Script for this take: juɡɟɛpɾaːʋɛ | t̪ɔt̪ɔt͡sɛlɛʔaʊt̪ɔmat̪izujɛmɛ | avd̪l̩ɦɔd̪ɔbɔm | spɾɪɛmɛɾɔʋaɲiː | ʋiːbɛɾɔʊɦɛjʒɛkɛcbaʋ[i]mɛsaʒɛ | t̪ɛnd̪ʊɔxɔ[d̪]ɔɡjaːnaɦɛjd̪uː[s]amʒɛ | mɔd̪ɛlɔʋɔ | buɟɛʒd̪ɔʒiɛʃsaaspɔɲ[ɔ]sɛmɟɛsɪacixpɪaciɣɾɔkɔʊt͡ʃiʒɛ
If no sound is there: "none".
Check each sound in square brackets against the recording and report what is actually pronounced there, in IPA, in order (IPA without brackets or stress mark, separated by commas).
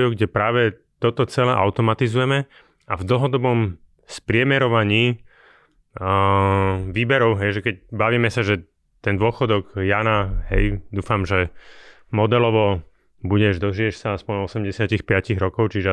iː, d̪, f, ɔ